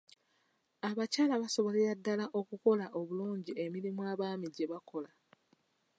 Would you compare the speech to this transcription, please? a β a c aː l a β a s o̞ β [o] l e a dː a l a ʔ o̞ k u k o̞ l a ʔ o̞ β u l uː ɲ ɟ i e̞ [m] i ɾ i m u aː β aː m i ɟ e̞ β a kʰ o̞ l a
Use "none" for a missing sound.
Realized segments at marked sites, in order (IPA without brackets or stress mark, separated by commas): o, m